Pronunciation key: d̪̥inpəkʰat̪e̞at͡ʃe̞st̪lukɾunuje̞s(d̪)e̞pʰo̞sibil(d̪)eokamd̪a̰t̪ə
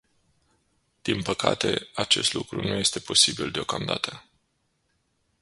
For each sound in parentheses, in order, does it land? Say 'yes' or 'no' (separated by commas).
no, yes